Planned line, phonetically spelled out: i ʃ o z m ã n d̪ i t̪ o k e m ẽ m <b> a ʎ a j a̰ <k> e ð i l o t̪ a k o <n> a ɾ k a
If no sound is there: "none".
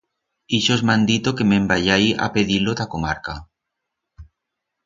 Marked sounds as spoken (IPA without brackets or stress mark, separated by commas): b, p, m